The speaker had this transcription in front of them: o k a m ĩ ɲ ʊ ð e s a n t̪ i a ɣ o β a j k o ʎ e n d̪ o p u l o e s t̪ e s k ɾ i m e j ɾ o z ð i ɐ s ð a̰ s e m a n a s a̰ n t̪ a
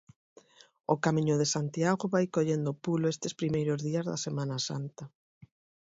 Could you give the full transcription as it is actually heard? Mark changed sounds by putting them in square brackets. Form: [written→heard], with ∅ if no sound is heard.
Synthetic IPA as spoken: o k a m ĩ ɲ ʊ ð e s a n t̪ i a ɣ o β a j k o ʎ e n d̪ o p u l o e s t̪ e s [k→p] ɾ i m e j ɾ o z ð i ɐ [s→z] ð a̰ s e m a n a s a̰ n t̪ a